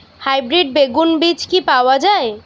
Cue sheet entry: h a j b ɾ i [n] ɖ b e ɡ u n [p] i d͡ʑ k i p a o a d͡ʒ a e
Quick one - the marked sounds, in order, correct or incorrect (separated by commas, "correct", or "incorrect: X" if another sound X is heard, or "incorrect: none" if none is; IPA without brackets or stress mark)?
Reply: incorrect: none, incorrect: b